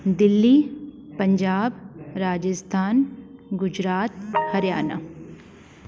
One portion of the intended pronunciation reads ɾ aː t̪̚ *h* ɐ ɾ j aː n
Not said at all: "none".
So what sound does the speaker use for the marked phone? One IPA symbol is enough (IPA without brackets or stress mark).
h